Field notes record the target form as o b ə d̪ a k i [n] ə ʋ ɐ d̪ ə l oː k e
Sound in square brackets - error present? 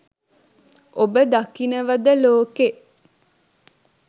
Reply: no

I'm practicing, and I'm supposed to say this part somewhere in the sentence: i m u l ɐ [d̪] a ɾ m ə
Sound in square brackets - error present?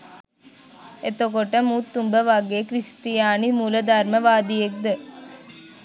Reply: no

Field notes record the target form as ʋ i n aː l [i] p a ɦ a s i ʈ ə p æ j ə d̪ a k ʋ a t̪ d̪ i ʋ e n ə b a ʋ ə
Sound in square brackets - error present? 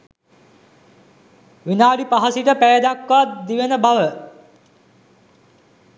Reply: no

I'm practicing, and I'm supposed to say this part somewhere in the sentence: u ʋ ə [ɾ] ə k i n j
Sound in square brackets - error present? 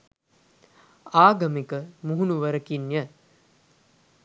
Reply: no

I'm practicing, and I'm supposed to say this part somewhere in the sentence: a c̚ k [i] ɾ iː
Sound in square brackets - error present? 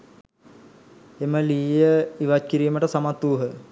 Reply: no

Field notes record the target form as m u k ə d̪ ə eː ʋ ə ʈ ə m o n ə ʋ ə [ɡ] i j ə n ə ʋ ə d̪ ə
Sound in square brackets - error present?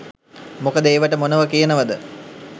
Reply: yes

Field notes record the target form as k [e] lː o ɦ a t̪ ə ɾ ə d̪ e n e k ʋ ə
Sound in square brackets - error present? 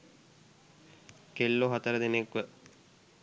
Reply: no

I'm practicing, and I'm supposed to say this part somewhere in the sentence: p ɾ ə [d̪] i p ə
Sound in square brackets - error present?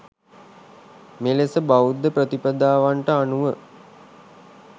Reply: yes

